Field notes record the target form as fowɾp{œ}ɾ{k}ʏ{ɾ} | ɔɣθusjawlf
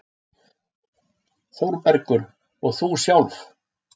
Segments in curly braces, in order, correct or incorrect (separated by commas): incorrect, correct, correct